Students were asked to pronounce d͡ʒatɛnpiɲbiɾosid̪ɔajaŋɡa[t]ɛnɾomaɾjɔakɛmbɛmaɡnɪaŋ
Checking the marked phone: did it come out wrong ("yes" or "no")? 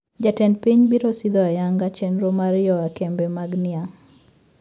yes